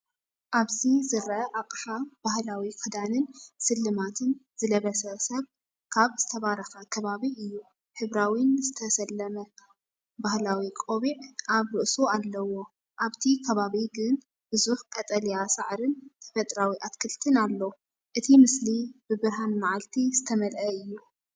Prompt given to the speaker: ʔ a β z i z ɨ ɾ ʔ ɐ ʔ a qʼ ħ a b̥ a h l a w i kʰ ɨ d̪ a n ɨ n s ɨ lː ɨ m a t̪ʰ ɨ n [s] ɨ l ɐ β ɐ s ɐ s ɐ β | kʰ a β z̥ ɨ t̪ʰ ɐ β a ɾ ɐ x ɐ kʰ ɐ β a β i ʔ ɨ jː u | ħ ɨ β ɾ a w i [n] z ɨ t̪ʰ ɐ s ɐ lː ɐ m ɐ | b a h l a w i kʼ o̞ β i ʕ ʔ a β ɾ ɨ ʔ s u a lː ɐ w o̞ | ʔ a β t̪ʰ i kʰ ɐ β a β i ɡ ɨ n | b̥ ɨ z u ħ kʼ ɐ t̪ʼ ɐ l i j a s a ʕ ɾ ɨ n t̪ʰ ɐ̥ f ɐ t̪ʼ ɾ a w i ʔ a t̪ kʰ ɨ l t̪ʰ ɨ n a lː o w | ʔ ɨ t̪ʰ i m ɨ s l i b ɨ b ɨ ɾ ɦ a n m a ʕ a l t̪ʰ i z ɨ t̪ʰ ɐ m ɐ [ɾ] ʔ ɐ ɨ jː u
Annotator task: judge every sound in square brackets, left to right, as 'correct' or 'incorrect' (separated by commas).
incorrect, correct, incorrect